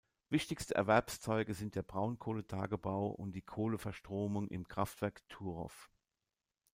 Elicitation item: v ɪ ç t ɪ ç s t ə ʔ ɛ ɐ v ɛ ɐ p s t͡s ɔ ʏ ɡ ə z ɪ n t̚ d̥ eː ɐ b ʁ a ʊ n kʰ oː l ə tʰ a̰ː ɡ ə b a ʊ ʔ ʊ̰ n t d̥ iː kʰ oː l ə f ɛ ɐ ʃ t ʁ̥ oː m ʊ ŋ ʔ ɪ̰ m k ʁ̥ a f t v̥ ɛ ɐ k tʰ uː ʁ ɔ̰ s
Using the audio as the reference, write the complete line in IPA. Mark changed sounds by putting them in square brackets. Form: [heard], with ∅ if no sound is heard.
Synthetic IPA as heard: v ɪ ç t ɪ ç s t ə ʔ ɛ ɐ v ɛ ɐ p s t͡s ɔ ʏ ɡ ə z ɪ n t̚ d̥ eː ɐ b ʁ a ʊ n kʰ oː l ə tʰ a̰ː ɡ ə b a ʊ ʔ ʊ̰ n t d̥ iː kʰ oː l ə f ɛ ɐ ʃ t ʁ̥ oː m ʊ ŋ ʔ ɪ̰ m k ʁ̥ a f t v̥ ɛ ɐ k tʰ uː ʁ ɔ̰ [f]

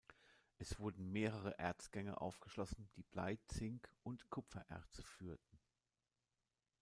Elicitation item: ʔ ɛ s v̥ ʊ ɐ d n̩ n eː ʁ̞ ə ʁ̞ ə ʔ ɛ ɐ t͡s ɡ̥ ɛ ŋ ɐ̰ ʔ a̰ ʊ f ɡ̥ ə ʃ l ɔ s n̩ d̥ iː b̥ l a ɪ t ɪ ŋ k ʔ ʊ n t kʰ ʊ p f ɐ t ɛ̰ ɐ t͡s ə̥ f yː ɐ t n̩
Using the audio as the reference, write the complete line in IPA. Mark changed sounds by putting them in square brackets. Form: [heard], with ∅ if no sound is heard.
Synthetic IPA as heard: ʔ ɛ s v̥ ʊ ɐ d n̩ [m] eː ʁ̞ ə ʁ̞ ə ʔ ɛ ɐ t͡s ɡ̥ ɛ ŋ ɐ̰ ʔ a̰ ʊ f ɡ̥ ə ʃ l ɔ s n̩ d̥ iː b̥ l a ɪ [t͡s] ɪ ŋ k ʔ ʊ n t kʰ ʊ p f ɐ [ʔ] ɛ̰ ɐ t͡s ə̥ f yː ɐ t n̩

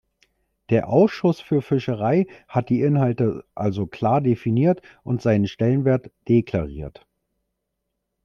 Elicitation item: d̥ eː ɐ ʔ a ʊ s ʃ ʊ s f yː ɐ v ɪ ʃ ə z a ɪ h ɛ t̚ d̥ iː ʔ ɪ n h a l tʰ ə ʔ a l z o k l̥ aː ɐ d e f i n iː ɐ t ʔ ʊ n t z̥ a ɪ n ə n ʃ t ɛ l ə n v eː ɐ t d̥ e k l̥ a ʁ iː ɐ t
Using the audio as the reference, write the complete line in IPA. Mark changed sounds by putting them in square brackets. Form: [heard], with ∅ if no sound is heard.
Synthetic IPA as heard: d̥ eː ɐ ʔ a ʊ s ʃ ʊ s f yː ɐ [f] ɪ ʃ ə [ʁ] a ɪ h [a] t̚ d̥ iː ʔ ɪ n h a l [t] ə ʔ a l z o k l̥ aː ɐ d e f i n iː ɐ t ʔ ʊ n t z̥ a ɪ n ə n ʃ t ɛ l ə n v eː ɐ t d̥ e k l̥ a ʁ iː ɐ t

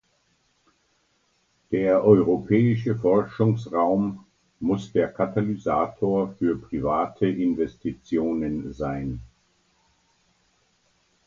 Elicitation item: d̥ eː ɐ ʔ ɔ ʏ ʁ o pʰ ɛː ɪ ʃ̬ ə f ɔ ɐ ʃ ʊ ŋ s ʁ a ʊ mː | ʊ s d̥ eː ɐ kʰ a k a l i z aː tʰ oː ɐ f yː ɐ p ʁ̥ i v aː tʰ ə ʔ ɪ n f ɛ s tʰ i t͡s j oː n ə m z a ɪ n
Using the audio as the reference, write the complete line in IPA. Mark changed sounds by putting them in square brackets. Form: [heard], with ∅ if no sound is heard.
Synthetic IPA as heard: d̥ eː ɐ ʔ ɔ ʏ ʁ o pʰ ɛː ɪ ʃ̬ ə f ɔ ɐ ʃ ʊ ŋ s ʁ a ʊ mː | ʊ s d̥ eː ɐ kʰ a [t] a l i z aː tʰ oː ɐ f yː ɐ p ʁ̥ i v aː tʰ ə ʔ ɪ n [v] ɛ s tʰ i t͡s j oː n ə [n] z a ɪ n

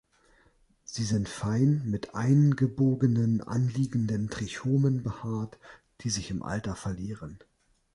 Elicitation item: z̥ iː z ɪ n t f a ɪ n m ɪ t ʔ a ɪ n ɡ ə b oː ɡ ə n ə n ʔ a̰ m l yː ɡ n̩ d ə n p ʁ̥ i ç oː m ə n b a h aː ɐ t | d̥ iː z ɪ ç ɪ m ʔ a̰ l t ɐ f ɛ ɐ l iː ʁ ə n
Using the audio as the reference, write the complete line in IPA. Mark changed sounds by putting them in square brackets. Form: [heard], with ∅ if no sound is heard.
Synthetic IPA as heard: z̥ iː z ɪ n t f a ɪ n m ɪ t ʔ a ɪ n ɡ ə b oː ɡ ə n ə n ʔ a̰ [n] l [iː] ɡ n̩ d ə n [t] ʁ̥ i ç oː m ə n b [ə] h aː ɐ t | d̥ iː z ɪ ç ɪ m ʔ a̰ l t ɐ f ɛ ɐ l iː ʁ ə n

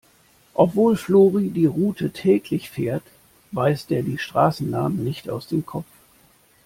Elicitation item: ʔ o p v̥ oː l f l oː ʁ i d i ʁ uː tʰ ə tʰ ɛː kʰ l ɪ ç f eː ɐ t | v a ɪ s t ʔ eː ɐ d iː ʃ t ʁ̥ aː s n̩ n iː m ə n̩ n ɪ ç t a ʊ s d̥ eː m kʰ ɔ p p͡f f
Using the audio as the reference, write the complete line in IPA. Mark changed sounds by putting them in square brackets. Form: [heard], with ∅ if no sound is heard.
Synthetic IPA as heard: ʔ [ɔ] p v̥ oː l f l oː ʁ i d [iː] ʁ uː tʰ ə tʰ ɛː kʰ l ɪ ç f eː ɐ t | v a ɪ s t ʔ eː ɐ d iː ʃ t ʁ̥ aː s n̩ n [aː] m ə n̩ n ɪ ç t a ʊ s d̥ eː m kʰ ɔ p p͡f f

